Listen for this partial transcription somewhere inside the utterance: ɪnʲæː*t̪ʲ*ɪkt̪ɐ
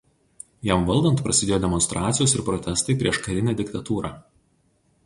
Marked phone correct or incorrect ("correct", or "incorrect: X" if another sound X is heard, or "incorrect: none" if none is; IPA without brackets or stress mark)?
incorrect: d̪ʲ